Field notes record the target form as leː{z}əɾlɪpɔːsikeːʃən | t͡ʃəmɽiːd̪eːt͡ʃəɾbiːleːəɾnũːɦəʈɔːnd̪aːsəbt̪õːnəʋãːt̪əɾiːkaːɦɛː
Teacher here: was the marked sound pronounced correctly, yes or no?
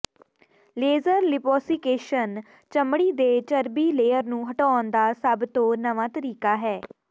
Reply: yes